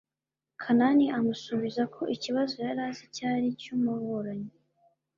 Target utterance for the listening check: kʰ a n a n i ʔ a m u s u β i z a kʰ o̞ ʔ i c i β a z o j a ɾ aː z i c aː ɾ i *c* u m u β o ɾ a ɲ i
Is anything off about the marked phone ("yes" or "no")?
no